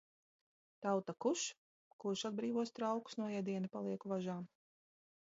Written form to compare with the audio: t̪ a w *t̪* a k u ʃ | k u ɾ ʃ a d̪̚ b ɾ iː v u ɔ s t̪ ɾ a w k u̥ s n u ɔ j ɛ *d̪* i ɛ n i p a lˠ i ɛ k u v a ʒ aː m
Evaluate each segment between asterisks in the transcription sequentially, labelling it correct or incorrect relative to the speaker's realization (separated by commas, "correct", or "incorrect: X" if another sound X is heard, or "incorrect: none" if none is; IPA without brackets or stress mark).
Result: correct, correct